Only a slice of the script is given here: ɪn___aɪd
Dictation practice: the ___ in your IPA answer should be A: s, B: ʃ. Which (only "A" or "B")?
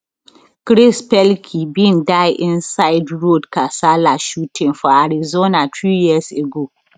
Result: A